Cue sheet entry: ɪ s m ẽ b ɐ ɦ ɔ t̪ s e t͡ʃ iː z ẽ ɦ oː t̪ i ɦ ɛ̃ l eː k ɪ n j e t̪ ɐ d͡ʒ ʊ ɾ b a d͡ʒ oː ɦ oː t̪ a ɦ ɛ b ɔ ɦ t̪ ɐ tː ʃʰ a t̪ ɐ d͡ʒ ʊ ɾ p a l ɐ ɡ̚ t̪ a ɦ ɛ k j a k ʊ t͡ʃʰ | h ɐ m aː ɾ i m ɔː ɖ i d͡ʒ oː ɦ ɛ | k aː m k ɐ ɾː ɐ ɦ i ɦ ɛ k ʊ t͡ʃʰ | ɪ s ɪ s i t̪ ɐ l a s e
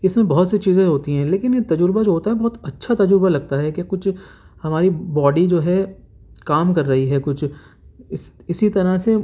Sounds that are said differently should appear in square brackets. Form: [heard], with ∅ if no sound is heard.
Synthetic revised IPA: ɪ s m ẽ b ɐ ɦ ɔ t̪ s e t͡ʃ iː z ẽ ɦ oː t̪ i ɦ ɛ̃ l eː k ɪ n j e t̪ ɐ d͡ʒ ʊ ɾ b a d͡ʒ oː ɦ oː t̪ a ɦ ɛ b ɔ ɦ t̪ ɐ tː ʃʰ a t̪ ɐ d͡ʒ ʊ ɾ [b] a l ɐ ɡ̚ t̪ a ɦ ɛ k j a k ʊ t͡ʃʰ | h ɐ m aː ɾ i [b] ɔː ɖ i d͡ʒ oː ɦ ɛ | k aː m k ɐ ɾː ɐ ɦ i ɦ ɛ k ʊ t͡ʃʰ | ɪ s ɪ s i t̪ ɐ [ɾ] a s e